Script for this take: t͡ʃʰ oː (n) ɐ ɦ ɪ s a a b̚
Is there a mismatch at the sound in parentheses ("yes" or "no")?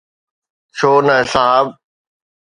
no